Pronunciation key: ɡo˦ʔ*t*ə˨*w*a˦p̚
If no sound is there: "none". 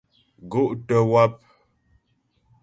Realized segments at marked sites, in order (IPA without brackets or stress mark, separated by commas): t, w